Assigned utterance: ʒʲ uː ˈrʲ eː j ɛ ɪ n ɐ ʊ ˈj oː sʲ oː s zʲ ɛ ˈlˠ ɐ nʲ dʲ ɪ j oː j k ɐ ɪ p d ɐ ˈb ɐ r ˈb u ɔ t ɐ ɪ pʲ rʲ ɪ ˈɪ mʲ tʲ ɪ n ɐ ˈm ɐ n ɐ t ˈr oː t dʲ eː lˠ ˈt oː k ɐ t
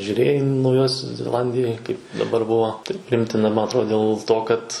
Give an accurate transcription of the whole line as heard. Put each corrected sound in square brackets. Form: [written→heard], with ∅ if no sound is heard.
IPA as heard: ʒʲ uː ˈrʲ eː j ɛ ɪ n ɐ ʊ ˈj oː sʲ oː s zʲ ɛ ˈlˠ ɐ nʲ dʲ ɪ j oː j k ɐ ɪ p d ɐ ˈb ɐ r ˈb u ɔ t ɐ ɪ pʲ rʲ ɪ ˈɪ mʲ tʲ ɪ n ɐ ˈm ɐ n ɐ t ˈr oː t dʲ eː lˠ ˈt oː k ɐ t